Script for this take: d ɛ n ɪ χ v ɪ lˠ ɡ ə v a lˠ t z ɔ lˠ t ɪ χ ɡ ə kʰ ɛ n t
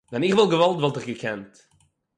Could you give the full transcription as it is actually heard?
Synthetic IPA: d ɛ n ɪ χ v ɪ lˠ ɡ ə v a lˠ t v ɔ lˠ t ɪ χ ɡ ə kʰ ɛ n t